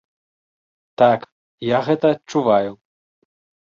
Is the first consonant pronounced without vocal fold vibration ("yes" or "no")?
yes